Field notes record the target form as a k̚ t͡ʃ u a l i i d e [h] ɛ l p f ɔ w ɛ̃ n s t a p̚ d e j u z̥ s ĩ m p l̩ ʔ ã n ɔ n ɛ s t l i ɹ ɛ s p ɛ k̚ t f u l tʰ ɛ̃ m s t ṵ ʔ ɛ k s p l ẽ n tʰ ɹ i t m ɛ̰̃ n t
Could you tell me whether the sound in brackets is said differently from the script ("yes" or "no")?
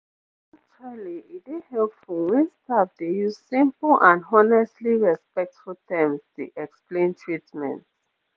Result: no